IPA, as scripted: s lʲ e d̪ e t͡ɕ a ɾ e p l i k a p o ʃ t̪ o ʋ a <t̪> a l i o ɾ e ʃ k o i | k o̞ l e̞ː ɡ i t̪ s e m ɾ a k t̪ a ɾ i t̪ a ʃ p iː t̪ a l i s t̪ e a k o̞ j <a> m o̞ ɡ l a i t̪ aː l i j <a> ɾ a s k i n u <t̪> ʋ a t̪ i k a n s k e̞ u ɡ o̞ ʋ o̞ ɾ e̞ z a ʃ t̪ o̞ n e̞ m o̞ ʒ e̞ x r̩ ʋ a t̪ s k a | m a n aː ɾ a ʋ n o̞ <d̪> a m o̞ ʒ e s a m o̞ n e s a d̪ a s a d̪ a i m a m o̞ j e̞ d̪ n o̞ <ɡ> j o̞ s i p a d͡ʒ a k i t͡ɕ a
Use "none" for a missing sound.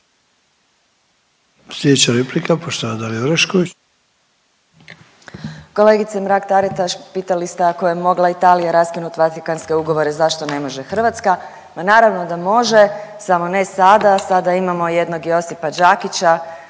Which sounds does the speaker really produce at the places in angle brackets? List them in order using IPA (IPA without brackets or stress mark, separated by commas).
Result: d̪, e, a, t̪, d̪, ɡ